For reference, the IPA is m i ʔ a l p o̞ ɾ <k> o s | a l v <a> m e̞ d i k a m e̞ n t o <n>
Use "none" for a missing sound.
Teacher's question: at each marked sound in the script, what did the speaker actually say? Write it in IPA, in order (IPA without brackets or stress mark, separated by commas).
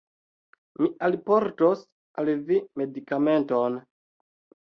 t, i, n